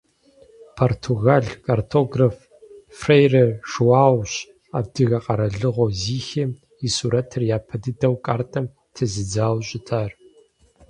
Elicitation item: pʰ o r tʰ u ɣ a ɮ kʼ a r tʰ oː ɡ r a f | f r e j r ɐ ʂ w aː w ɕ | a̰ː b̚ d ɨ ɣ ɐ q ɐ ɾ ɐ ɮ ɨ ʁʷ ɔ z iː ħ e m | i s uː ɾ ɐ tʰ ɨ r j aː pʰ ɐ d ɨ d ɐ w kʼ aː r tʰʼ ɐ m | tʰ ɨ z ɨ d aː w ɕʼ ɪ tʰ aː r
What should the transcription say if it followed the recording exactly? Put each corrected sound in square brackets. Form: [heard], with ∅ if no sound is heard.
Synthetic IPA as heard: pʰ o r tʰ u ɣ a ɮ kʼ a r tʰ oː ɡ r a f | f r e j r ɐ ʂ w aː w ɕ | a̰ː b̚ d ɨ ɣ ɐ q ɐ ɾ ɐ ɮ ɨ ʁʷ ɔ z iː [x] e m | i s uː ɾ ɐ tʰ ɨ r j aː pʰ ɐ d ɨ d ɐ w kʼ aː r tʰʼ ɐ m | tʰ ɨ z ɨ [d͡z] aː w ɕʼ ɪ tʰ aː r